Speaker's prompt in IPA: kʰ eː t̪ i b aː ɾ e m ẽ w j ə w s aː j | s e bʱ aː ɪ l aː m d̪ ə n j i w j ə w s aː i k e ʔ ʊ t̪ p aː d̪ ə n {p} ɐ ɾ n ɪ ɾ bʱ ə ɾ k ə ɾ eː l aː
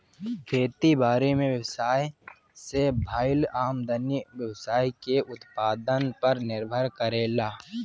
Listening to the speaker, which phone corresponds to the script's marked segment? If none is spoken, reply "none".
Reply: p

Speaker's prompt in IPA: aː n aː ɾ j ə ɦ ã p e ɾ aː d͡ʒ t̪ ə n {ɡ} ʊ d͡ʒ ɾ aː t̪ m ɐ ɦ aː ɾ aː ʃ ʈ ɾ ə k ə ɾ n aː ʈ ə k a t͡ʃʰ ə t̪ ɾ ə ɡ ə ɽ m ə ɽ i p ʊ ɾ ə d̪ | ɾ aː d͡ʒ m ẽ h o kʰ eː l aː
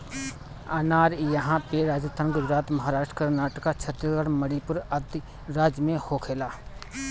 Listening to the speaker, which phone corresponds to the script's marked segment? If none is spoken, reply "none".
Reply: ɡ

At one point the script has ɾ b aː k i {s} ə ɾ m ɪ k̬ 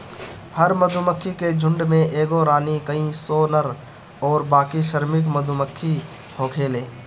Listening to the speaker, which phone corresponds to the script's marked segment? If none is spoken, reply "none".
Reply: ʃ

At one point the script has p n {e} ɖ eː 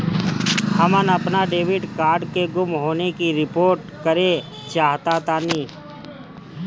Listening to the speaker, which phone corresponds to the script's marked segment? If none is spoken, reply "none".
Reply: a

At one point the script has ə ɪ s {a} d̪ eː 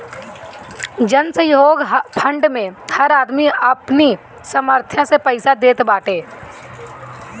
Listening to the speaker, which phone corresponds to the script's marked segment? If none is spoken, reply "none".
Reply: a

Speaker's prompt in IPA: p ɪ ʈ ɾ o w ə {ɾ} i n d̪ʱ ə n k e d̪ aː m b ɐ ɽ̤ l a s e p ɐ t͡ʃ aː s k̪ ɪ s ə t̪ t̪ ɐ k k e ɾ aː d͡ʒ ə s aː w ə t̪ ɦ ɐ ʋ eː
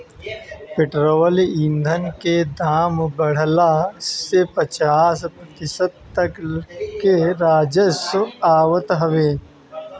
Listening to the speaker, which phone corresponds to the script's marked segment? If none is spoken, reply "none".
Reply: l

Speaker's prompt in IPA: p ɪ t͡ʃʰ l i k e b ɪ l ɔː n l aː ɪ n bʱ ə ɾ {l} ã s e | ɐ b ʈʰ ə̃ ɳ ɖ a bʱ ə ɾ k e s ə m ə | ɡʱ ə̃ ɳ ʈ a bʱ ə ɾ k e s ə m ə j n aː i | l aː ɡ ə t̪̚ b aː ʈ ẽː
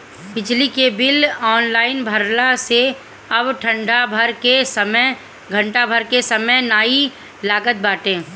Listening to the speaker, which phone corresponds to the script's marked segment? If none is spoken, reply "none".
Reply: l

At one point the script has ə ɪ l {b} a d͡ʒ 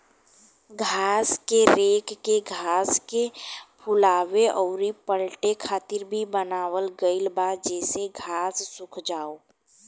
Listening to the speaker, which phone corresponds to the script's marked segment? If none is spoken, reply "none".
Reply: b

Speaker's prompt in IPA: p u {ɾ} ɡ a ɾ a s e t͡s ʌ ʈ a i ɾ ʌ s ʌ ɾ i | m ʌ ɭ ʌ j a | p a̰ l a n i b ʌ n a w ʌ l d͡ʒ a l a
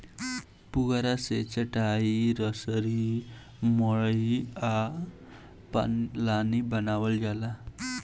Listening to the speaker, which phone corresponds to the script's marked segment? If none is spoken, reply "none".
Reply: none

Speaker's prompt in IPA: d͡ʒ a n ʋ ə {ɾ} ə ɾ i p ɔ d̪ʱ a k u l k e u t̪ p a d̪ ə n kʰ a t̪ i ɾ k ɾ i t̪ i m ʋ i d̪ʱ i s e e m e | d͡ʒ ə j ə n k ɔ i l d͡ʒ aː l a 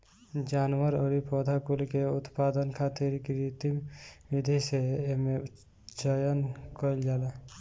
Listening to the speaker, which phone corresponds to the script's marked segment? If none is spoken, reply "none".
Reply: ɾ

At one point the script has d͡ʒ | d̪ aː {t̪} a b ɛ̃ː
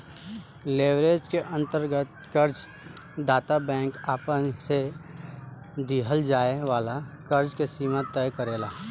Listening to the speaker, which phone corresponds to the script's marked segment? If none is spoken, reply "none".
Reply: t̪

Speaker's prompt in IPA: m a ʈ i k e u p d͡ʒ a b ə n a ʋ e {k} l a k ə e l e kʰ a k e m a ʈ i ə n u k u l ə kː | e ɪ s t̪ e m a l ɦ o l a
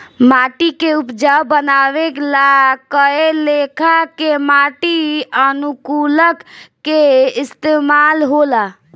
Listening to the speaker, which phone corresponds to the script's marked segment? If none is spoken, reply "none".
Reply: k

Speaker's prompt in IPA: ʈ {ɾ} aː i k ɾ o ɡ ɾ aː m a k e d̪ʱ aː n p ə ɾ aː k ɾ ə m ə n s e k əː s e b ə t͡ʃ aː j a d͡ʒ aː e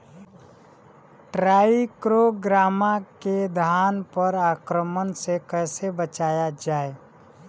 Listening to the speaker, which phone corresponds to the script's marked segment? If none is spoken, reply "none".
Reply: ɾ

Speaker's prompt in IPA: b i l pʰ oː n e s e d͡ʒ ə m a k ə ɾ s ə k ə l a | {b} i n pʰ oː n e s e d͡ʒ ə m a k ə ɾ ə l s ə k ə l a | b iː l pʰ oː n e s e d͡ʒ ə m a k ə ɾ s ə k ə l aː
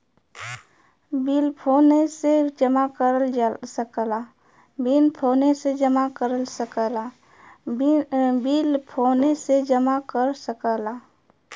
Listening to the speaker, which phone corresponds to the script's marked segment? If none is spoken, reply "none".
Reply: b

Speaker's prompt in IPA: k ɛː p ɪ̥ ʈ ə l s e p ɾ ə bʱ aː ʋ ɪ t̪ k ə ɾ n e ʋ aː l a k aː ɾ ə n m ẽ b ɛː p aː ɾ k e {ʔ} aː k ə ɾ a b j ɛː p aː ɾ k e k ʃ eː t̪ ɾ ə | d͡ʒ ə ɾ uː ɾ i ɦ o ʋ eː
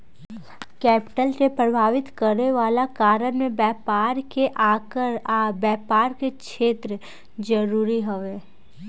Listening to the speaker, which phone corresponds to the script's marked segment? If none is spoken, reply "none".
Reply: ʔ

